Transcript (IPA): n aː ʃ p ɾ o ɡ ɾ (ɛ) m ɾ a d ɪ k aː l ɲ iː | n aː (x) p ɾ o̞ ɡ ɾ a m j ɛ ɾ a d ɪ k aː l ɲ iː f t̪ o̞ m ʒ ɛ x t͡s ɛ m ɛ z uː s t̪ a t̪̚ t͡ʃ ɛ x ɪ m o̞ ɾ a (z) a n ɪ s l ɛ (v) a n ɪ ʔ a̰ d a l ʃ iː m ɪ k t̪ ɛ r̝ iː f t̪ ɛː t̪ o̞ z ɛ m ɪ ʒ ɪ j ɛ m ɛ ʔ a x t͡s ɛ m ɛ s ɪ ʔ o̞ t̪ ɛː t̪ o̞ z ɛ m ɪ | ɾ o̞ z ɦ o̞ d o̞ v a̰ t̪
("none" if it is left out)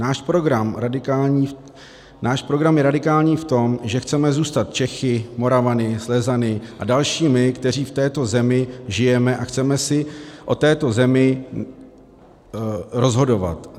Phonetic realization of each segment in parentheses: a, ʃ, v, z

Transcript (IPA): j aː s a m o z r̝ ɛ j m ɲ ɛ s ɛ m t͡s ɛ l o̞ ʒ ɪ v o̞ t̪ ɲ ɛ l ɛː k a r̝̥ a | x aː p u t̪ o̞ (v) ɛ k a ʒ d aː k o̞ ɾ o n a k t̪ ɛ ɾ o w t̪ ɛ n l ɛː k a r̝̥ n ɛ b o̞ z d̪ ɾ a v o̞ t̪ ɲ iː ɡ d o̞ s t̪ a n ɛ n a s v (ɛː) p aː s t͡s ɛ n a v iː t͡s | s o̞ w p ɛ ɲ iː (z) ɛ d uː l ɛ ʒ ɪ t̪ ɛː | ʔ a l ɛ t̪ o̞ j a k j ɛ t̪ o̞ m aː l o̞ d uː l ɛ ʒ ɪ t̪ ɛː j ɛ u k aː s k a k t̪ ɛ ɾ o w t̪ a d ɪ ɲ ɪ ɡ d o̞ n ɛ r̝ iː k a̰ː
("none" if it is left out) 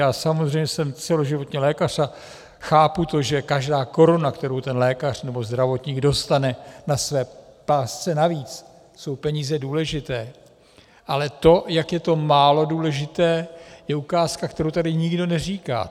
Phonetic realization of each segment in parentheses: ʒ, ɛː, z

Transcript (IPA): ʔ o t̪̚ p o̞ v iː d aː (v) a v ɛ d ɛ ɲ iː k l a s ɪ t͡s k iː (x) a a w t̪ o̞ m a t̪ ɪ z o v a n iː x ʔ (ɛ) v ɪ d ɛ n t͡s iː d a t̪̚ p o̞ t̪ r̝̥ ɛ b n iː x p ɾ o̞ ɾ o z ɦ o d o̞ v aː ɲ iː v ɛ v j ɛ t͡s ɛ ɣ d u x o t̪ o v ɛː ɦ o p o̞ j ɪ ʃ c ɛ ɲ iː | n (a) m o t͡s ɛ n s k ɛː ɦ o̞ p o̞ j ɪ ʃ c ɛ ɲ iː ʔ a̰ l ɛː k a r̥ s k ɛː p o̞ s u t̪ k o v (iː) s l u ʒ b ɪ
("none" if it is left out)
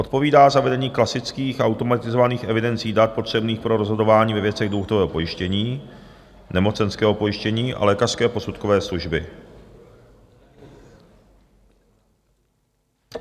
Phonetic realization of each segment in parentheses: z, x, ɛ, ɛ, ɛː

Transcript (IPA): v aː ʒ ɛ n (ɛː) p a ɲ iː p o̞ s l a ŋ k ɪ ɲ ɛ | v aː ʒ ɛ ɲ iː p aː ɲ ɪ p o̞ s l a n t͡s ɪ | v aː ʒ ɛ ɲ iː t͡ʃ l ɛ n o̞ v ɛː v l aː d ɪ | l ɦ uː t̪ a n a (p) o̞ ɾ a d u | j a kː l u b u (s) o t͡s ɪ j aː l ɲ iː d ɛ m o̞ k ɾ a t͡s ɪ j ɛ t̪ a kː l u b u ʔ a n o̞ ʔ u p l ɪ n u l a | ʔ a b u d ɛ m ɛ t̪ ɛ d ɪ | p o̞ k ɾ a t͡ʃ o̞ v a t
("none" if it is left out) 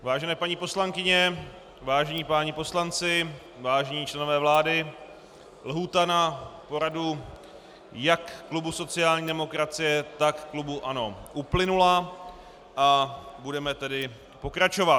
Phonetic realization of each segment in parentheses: ɛː, p, s

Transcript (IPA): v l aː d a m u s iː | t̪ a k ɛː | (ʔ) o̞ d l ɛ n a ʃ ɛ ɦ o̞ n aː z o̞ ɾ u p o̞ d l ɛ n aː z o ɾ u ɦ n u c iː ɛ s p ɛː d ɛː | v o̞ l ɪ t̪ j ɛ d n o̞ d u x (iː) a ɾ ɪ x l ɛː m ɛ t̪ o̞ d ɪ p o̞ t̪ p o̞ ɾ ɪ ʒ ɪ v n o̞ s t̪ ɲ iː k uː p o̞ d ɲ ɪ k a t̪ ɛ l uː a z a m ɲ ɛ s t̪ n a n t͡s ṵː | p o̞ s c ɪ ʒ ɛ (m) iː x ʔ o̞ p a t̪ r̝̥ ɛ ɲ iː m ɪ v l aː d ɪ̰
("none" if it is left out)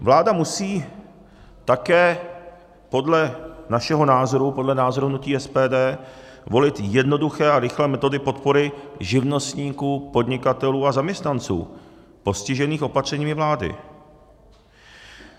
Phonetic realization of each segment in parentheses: p, ɛː, n

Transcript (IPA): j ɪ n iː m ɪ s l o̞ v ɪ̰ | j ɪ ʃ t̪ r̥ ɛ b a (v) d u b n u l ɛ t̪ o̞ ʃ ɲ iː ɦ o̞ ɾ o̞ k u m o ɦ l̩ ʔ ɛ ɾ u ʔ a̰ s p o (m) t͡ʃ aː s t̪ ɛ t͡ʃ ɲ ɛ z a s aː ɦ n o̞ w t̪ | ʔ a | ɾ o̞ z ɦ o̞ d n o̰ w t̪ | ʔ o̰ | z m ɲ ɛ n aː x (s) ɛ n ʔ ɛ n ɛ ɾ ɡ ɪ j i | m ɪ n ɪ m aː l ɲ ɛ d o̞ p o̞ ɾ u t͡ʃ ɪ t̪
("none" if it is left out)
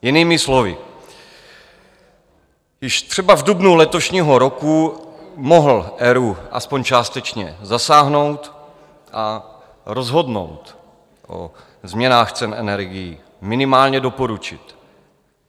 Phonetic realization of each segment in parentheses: v, ɲ, t͡s

